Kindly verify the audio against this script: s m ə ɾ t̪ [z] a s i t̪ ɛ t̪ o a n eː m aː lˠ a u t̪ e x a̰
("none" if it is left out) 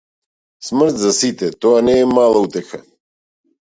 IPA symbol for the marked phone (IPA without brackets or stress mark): z